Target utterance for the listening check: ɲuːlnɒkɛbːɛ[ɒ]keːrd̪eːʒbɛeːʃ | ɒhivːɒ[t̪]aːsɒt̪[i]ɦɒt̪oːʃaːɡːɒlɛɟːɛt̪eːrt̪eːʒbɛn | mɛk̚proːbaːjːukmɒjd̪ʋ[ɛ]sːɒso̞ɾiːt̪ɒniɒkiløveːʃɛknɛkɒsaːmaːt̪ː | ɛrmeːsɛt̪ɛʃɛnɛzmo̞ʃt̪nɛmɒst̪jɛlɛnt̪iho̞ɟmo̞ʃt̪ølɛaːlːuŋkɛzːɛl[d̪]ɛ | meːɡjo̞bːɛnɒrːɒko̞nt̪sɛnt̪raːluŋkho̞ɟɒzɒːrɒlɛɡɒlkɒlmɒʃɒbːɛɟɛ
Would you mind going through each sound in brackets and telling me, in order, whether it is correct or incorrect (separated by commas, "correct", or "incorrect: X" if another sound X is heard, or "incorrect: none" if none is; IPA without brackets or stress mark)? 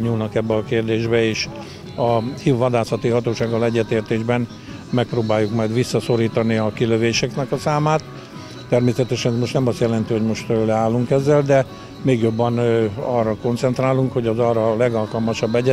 correct, incorrect: d̪, correct, incorrect: i, correct